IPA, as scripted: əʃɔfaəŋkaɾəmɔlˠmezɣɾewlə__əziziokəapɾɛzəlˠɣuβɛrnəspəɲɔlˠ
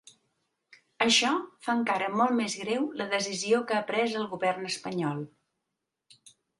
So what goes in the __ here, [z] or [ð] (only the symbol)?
ð